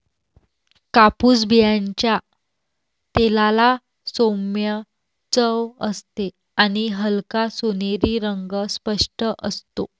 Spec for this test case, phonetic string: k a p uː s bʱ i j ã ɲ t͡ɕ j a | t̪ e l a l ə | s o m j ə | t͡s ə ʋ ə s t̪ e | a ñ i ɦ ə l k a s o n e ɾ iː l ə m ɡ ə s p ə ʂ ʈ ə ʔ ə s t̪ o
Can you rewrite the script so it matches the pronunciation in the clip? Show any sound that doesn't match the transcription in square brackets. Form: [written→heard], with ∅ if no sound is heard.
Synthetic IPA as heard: k a p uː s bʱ i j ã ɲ t͡ɕ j a | t̪ e l a l [ə→a] | s o m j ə | t͡s ə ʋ ə s t̪ e | a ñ i ɦ ə l k a s o n e ɾ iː [l→ɾ] ə [m→ŋ] ɡ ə s p ə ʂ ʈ ə ʔ ə s t̪ o